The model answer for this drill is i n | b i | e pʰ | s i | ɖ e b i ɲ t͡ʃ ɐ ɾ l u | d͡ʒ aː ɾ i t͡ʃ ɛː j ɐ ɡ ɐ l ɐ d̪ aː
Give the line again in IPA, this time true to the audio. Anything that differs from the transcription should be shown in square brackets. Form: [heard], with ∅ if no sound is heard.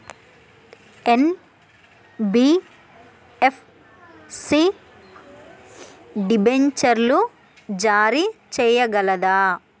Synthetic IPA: [e] n | b i | e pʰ | s i | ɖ [i] b [e] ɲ t͡ʃ ɐ ɾ l u | d͡ʒ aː ɾ i t͡ʃ ɛː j ɐ ɡ ɐ l ɐ d̪ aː